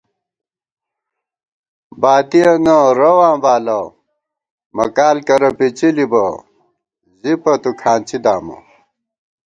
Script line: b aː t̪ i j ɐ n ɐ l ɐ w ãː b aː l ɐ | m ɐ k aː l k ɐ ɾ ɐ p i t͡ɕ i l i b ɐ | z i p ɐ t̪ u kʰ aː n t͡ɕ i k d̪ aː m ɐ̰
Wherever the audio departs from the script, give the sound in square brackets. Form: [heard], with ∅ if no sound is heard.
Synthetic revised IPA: b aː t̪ i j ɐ n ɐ [ɾ] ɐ w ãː b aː l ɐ | m ɐ k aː l k ɐ ɾ ɐ p i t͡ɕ i l i b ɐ | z i p ɐ t̪ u kʰ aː n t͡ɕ i [∅] d̪ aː m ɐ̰